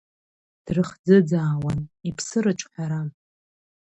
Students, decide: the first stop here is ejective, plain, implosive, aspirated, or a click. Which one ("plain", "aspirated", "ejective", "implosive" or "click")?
plain